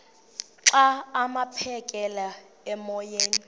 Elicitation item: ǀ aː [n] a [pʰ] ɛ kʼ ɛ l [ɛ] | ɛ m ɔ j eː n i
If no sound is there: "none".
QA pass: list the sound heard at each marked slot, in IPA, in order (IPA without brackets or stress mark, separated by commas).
m, pʰ, a